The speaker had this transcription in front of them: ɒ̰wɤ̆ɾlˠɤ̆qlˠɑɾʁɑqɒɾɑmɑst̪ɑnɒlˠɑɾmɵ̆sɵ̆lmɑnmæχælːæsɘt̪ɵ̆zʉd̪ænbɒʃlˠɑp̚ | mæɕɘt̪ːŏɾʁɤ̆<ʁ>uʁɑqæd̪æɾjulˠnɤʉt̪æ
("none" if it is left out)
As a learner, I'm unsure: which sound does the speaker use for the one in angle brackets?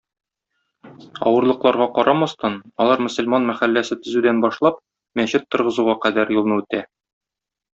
z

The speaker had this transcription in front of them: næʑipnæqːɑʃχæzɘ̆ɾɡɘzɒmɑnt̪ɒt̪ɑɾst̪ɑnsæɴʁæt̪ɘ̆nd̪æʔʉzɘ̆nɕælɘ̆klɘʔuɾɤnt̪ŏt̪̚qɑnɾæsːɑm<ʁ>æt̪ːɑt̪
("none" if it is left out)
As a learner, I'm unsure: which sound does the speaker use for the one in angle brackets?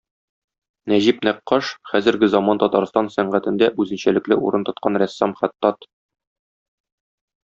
χ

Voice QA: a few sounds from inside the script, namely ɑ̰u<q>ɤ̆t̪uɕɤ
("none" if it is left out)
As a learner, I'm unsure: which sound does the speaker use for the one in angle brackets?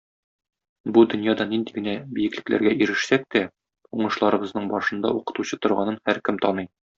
q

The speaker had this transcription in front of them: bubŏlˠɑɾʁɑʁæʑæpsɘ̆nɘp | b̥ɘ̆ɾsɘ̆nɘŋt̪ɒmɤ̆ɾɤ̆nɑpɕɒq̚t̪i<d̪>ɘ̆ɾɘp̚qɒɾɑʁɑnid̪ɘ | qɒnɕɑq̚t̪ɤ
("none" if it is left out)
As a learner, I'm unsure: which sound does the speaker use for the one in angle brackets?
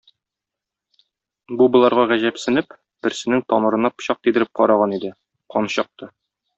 d̪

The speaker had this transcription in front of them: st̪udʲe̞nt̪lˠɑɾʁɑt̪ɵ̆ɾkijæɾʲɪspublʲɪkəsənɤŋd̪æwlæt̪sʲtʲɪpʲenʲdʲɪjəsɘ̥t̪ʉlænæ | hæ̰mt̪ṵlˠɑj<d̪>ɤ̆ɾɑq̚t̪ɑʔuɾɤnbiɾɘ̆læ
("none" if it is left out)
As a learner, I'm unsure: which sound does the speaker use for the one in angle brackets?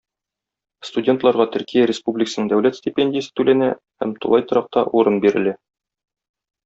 t̪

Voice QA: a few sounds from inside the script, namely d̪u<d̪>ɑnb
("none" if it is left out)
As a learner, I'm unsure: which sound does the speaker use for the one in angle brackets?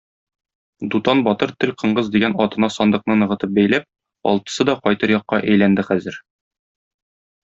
t̪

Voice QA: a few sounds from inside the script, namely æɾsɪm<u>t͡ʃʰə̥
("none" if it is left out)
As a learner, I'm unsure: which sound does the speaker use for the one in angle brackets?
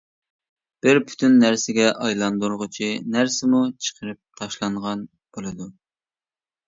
u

